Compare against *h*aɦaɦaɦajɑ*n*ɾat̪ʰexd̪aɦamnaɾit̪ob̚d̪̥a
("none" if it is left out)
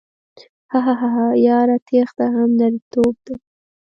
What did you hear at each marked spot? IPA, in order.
h, none

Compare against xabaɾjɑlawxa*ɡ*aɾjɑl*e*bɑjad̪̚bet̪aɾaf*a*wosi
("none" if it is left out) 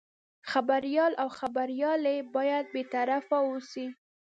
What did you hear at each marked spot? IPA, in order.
b, e, a

